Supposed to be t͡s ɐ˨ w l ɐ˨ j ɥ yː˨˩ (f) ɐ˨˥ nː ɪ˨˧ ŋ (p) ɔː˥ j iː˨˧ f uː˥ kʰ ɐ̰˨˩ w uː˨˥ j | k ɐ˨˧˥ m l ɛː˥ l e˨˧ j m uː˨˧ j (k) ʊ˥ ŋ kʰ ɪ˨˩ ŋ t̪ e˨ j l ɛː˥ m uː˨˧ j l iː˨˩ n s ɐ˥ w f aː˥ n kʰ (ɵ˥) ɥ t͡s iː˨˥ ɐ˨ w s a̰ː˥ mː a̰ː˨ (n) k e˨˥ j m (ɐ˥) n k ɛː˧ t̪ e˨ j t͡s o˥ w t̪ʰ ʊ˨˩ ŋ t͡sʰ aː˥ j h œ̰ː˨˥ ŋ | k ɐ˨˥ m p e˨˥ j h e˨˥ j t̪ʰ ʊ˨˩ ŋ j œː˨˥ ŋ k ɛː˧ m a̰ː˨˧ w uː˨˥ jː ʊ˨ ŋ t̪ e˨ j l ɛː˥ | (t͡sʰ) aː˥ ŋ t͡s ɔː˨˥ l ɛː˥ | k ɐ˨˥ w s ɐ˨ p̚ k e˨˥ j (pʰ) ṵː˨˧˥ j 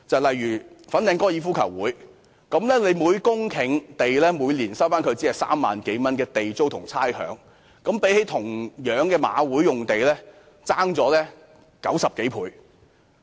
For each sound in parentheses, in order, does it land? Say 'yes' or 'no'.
yes, no, yes, no, yes, yes, no, yes

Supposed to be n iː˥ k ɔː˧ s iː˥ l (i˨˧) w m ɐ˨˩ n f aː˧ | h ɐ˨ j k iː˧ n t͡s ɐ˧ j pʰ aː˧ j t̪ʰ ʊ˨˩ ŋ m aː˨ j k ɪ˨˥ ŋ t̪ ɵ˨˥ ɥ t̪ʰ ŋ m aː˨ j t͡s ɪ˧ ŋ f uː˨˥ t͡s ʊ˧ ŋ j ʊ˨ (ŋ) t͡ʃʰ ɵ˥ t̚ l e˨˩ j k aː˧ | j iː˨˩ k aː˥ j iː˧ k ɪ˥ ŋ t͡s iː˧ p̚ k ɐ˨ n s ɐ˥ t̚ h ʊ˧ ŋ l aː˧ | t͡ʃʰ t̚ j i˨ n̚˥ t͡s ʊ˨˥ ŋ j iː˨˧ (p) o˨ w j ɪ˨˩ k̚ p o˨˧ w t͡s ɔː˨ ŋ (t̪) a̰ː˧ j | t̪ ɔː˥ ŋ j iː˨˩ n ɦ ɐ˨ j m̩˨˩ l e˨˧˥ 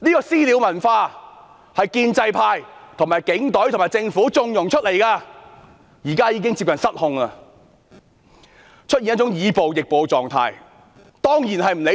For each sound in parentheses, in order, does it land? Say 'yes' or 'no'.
yes, yes, yes, no

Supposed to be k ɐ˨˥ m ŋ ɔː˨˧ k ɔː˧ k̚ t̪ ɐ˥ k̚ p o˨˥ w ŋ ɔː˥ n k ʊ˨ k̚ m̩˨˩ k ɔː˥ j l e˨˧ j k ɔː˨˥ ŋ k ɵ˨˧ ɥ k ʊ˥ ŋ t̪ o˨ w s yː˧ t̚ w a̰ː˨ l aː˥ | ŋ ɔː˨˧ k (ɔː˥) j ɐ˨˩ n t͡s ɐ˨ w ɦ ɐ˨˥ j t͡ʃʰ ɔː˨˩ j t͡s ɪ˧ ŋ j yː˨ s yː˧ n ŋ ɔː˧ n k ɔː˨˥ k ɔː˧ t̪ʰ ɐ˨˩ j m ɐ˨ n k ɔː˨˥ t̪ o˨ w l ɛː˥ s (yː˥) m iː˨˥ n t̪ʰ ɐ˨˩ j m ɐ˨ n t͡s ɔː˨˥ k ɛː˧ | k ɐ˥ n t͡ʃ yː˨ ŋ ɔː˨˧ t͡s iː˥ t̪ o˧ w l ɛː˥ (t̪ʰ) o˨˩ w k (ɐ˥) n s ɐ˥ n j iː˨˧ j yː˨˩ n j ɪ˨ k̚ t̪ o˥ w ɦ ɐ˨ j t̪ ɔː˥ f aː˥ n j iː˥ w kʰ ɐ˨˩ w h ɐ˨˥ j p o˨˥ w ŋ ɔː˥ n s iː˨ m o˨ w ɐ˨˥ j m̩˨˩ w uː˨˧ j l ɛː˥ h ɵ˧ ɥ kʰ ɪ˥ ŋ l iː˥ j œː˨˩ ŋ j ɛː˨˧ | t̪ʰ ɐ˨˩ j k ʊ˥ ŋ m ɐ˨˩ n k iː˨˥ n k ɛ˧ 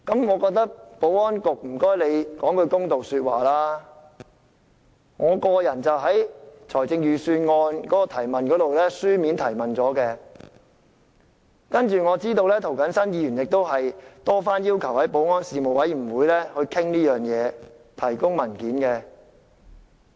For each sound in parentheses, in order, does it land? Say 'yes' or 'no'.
no, yes, yes, no

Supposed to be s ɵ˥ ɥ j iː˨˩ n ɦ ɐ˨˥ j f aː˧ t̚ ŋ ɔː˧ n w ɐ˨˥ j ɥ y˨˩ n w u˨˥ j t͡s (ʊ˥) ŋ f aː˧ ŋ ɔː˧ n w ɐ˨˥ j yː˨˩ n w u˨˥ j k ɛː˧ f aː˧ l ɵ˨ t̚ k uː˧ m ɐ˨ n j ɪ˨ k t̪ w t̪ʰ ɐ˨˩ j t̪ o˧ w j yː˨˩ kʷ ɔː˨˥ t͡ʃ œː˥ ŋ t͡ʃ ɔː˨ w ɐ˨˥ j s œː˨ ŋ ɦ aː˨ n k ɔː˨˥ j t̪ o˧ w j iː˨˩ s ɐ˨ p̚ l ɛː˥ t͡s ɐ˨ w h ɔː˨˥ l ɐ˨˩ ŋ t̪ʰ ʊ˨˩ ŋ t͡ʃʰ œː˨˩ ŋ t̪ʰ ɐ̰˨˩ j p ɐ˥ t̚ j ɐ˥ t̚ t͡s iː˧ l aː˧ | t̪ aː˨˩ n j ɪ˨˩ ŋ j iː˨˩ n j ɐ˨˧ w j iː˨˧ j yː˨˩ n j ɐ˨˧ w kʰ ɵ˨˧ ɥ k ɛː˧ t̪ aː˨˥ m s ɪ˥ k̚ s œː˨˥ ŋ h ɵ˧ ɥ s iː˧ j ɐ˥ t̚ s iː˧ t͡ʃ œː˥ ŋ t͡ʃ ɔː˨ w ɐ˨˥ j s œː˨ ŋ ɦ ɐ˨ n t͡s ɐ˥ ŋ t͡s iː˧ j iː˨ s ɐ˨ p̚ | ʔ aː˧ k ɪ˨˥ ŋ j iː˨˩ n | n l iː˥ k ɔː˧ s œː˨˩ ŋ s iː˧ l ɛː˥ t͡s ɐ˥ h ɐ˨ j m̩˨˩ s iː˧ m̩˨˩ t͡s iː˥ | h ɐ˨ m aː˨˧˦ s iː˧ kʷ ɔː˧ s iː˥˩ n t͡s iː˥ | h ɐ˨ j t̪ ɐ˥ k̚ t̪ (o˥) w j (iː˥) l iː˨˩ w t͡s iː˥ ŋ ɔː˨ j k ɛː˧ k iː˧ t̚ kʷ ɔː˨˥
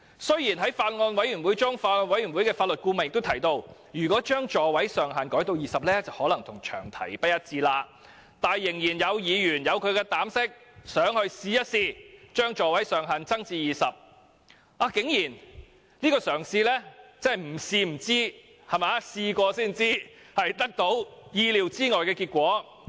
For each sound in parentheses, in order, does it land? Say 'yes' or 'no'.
yes, no, no

